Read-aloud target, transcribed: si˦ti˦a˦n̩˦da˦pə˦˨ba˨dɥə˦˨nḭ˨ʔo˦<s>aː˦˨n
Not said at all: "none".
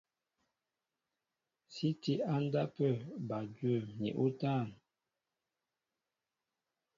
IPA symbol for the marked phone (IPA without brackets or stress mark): t